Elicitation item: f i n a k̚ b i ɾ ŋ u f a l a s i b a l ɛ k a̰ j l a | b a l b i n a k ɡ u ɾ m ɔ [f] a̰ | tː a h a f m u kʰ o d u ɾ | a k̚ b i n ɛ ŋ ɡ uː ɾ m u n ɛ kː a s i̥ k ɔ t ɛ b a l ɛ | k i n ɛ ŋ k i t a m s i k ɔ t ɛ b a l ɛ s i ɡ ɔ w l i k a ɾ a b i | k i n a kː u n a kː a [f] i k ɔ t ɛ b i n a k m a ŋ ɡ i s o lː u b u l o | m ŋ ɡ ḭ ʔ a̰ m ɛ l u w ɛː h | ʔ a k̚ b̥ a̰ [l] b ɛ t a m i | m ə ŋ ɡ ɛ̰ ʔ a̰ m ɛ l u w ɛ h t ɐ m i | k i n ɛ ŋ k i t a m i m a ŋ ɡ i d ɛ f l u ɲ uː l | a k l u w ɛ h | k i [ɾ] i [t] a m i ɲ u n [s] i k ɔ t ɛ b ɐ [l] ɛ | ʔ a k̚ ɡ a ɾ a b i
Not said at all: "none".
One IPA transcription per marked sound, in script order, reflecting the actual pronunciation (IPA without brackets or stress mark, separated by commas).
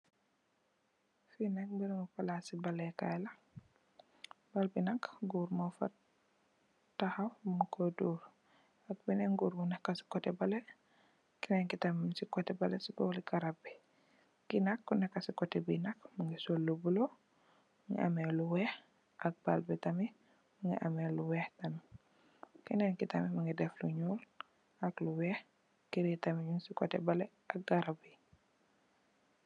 f, s, l, ɾ, t, s, l